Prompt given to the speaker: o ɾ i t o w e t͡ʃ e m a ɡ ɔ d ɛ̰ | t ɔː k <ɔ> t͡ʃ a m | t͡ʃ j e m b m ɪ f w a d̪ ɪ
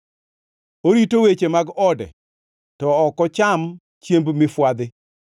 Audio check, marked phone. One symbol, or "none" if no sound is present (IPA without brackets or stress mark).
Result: ɔ